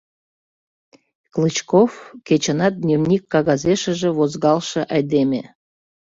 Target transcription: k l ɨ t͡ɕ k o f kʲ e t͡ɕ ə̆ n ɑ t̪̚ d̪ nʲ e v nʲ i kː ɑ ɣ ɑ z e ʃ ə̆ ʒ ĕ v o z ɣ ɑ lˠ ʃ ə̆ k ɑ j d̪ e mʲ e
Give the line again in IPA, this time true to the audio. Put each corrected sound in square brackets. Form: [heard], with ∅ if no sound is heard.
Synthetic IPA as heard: k l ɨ t͡ɕ k o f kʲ e t͡ɕ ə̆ n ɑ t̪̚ d̪ nʲ e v nʲ i kː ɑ ɣ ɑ z e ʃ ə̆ ʒ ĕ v o z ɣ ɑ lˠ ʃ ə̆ [ʔ] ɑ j d̪ e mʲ e

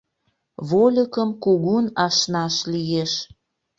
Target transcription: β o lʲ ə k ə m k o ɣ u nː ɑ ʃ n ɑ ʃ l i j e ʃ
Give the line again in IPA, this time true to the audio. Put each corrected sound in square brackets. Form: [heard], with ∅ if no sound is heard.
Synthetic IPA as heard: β o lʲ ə k ə m k [u] ɣ u [n] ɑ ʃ n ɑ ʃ l i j e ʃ

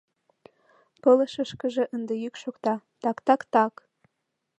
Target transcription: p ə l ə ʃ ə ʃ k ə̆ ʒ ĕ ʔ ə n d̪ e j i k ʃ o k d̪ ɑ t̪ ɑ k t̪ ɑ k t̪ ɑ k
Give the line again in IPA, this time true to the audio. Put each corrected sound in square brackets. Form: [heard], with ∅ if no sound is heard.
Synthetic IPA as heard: p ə l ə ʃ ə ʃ k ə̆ ʒ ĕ ʔ ə n d̪ e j [y] k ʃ o k [t̪] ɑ t̪ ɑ k t̪ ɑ k t̪ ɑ k

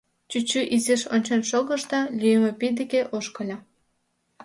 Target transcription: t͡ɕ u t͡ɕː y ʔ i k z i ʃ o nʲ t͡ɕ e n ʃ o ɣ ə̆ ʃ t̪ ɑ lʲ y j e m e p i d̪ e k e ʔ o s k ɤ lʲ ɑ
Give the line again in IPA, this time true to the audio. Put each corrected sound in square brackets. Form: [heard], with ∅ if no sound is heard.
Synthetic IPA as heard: t͡ɕ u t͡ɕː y ʔ i [∅] z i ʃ o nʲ t͡ɕ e n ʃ o ɣ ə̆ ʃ t̪ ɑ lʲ y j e m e p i d̪ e k e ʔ o [ʃ] k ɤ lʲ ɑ

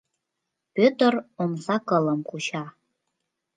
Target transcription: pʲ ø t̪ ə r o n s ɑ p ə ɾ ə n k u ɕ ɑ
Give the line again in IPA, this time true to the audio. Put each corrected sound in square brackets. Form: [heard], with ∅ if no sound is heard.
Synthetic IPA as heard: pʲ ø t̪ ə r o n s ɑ [k] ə [l] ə [m] k u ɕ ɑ

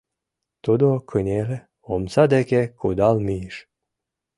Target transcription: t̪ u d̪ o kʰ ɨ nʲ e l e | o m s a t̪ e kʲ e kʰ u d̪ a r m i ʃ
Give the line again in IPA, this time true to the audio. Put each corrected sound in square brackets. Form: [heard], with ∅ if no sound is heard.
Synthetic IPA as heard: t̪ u d̪ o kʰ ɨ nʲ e l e | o m s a [d̪] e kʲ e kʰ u d̪ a [l] m i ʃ

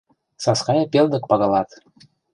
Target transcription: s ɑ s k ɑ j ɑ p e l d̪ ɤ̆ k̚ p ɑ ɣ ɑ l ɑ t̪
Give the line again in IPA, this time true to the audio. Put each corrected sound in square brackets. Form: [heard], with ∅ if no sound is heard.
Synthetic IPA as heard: s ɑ s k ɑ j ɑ p e l d̪ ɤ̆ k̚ p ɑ ɣ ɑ l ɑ t̪

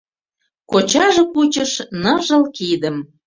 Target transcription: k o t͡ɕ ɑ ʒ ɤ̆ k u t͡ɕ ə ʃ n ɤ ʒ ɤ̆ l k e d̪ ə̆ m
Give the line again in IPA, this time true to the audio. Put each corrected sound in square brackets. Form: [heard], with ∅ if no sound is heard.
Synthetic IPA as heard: k o t͡ɕ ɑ ʒ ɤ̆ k u t͡ɕ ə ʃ n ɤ ʒ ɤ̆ l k [i] d̪ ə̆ m

